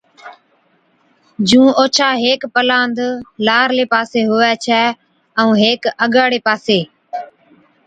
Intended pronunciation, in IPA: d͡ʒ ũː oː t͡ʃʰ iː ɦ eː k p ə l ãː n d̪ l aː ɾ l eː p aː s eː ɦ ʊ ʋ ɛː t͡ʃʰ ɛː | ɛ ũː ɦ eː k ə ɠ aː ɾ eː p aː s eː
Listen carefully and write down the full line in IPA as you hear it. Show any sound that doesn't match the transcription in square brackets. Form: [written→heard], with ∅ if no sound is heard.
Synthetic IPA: d͡ʒ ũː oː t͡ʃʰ [iː→aː] ɦ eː k p ə l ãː n d̪ l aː ɾ l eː p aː s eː ɦ ʊ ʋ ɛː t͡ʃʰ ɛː | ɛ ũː ɦ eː k ə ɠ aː [ɾ→ɽ] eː p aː s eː

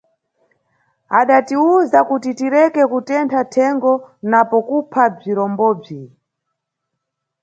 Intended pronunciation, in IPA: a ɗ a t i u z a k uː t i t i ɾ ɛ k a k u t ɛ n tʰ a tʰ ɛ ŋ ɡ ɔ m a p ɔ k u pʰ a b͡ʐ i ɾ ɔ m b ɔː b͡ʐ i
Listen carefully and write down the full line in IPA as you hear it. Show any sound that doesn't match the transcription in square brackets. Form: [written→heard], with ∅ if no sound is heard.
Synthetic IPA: a ɗ a t i u z a k [uː→u] t i t i ɾ ɛ k [a→ɛ] k u t ɛ n tʰ a tʰ ɛ ŋ ɡ ɔ [m→n] a p ɔ k u pʰ a b͡ʐ i ɾ ɔ m b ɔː b͡ʐ i

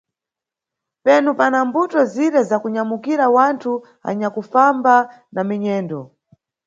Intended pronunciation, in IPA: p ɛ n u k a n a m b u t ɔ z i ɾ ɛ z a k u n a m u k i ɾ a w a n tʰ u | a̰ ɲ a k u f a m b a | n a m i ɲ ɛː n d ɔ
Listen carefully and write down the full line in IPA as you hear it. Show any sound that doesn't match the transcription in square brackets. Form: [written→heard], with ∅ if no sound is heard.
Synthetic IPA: p ɛ n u [k→p] a n a m b u t ɔ z i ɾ ɛ z a k u [n→ɲ] a m u k i ɾ a w a n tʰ u | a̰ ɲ a k u f a m b a | n a m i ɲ ɛː n d ɔ

